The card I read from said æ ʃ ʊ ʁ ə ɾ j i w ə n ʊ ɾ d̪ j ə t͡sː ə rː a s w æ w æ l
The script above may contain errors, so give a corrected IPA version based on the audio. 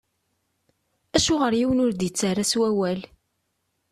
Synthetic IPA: æ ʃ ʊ ʁ ə ɾ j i w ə n ʊ ɾ d̪ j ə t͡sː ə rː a s w æ w æ l